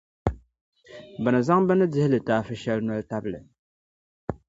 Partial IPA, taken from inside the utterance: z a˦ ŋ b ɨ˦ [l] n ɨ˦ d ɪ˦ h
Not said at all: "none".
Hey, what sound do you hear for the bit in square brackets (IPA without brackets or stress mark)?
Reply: none